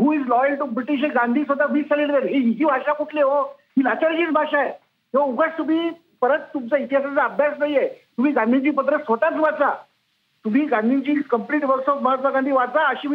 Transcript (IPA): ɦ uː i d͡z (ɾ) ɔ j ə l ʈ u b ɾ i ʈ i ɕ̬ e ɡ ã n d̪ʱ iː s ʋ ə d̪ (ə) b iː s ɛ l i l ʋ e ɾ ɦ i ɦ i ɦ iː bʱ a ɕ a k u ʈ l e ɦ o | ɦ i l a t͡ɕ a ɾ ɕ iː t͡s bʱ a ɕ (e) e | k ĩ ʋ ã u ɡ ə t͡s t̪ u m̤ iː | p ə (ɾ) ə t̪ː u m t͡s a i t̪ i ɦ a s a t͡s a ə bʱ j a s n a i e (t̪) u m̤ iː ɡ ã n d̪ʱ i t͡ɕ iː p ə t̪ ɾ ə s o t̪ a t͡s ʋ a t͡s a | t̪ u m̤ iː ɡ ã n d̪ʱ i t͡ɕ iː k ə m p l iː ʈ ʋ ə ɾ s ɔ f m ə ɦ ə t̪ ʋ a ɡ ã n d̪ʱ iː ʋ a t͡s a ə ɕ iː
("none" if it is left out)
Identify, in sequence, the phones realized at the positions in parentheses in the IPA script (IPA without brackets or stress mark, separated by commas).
l, a, a, ɾ, t̪